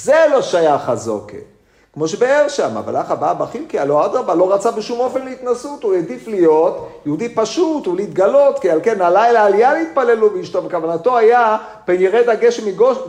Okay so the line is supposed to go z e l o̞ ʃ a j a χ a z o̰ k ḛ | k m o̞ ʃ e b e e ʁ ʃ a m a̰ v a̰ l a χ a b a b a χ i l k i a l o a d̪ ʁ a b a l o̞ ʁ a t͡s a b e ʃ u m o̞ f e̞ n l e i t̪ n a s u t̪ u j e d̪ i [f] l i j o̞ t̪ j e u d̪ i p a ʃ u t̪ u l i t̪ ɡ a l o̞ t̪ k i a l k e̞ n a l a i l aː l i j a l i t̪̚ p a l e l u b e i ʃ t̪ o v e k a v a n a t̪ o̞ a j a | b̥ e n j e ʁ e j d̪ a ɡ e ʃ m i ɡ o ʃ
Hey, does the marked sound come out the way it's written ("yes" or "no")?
yes